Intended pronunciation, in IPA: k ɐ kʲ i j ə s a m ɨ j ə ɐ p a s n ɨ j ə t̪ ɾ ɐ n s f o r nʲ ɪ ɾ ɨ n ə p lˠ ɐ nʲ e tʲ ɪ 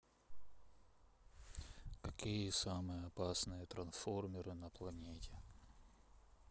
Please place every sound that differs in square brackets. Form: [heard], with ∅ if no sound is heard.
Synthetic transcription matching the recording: k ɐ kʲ i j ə s a m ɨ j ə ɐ p a s n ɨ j ə t̪ ɾ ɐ n s f o r [mʲ] ɪ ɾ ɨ n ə p lˠ ɐ nʲ e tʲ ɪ